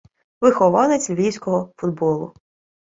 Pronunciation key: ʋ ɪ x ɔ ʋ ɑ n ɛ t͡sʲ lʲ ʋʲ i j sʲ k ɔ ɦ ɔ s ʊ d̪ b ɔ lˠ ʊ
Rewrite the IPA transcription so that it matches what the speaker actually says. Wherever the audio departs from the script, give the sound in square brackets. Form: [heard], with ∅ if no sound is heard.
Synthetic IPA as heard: ʋ ɪ x ɔ ʋ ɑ n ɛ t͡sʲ lʲ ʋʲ i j sʲ k ɔ ɦ ɔ [f] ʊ d̪ b ɔ lˠ ʊ